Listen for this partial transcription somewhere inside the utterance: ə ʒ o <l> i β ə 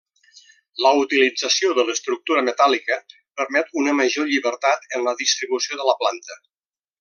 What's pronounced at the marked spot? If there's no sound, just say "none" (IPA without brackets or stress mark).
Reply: ʎ